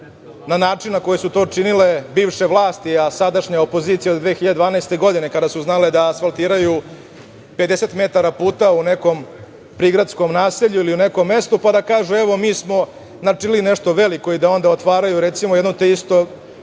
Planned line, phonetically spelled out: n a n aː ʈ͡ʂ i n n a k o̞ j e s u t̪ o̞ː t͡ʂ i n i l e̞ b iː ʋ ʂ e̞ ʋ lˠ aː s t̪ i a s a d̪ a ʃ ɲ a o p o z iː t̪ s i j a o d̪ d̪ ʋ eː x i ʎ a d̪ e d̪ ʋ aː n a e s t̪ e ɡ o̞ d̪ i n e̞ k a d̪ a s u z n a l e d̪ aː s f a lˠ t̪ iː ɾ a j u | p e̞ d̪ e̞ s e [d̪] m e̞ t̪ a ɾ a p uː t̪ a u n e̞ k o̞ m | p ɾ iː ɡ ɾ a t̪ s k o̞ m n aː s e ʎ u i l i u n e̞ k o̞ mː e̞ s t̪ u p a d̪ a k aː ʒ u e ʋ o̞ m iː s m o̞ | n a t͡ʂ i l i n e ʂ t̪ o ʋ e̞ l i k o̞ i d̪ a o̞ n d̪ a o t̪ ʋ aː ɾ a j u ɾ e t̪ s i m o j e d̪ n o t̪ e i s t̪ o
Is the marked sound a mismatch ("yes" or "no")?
yes